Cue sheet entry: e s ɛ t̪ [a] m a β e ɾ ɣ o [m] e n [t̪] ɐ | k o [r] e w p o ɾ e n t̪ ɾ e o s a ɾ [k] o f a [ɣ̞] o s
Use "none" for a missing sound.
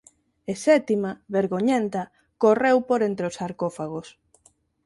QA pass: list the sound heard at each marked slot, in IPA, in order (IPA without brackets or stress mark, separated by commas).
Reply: i, ɲ, t̪, r, k, ɣ̞